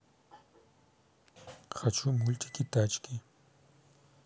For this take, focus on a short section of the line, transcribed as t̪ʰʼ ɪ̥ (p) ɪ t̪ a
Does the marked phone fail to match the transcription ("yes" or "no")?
yes